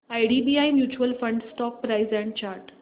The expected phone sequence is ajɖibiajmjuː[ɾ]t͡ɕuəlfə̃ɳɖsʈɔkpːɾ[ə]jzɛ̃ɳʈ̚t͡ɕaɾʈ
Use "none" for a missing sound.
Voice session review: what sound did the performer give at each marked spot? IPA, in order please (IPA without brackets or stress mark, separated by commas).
none, a